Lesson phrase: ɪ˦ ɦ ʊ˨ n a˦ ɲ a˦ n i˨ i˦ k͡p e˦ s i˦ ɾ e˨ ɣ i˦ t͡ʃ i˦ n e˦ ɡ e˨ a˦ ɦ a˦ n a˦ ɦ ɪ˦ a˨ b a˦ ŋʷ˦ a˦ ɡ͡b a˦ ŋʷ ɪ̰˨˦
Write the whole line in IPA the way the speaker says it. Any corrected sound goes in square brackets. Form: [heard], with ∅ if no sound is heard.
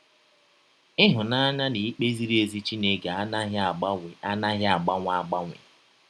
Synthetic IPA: ɪ˦ ɦ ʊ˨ n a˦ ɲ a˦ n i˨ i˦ k͡p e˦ [z] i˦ ɾ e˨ [z] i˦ t͡ʃ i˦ n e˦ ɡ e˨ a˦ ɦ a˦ n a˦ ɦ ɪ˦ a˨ [ɡ͡b] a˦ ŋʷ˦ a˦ ɡ͡b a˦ ŋʷ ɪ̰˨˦

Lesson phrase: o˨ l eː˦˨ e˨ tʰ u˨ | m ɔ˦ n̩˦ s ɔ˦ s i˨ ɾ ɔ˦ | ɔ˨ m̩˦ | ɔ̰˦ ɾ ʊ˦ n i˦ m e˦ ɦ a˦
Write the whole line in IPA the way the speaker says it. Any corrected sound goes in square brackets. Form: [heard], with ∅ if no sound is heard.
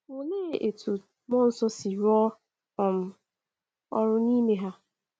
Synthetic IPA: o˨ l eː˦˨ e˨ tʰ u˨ | m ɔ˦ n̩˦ s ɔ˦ s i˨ ɾ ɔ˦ | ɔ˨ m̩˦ | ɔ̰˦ ɾ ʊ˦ n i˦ m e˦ ɦ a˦

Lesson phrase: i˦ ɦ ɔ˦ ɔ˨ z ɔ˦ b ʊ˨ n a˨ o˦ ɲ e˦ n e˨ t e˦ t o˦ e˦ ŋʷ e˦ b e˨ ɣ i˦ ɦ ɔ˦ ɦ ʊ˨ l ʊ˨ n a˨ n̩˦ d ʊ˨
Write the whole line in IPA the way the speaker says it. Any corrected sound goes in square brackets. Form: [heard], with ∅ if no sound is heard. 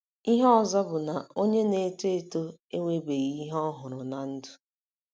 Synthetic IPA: i˦ ɦ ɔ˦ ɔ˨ z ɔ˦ b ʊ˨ n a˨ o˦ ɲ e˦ n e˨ t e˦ t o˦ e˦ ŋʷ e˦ b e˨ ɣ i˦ ɦ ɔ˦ ɦ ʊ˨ [ɾ] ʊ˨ n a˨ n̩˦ d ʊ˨

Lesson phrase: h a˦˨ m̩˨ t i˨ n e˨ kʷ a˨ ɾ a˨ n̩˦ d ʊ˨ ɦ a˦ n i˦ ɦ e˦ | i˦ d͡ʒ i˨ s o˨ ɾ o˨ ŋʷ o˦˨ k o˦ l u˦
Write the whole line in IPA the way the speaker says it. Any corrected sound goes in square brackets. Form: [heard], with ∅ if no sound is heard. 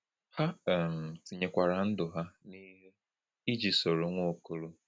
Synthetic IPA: h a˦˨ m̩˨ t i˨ [ɲ] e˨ kʷ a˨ ɾ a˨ n̩˦ d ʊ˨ ɦ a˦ n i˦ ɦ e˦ | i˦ d͡ʒ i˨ s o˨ ɾ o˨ ŋʷ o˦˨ k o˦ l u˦

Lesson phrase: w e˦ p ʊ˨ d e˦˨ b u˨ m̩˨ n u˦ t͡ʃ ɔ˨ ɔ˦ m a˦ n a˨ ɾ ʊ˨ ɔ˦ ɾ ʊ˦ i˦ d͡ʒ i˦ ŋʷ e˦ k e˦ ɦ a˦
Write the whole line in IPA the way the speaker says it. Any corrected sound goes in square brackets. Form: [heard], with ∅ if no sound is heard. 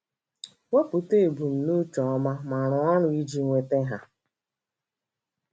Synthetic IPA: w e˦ p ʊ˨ [t] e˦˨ b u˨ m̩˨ n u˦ t͡ʃ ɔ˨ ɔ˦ m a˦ [m] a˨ ɾ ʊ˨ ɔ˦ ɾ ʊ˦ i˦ d͡ʒ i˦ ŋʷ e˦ [t] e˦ ɦ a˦

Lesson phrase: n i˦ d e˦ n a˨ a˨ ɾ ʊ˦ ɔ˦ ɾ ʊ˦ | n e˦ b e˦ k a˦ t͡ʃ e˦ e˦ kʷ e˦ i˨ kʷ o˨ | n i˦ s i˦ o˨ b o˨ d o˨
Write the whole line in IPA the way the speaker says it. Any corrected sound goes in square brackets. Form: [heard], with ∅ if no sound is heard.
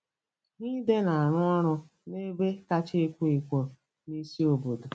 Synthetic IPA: n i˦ d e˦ n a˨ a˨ ɾ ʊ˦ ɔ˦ ɾ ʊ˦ | n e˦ b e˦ k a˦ t͡ʃ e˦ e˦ kʷ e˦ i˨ kʷ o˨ | n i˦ s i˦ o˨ b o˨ d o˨

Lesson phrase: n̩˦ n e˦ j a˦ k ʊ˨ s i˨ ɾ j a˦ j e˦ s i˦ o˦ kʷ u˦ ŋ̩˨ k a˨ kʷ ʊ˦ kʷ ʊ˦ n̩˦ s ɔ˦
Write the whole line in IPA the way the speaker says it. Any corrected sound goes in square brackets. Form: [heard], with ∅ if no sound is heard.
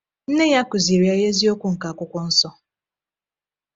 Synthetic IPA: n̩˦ n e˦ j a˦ k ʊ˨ [z] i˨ ɾ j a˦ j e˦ [z] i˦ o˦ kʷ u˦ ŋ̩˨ k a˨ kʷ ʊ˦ kʷ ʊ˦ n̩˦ s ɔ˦

